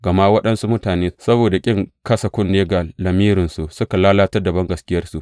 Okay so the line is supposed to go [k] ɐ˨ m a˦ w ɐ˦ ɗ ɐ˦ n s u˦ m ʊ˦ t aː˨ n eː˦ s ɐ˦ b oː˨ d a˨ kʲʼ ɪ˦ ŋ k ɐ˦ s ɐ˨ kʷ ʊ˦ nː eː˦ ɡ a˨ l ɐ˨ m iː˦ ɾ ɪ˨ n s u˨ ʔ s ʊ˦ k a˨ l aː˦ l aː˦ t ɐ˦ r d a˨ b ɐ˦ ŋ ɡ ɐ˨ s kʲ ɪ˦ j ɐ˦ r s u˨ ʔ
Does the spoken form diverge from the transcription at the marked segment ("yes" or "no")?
yes